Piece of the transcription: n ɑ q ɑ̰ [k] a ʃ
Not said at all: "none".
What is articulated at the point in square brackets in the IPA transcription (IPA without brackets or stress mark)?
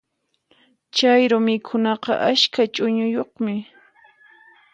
ʔ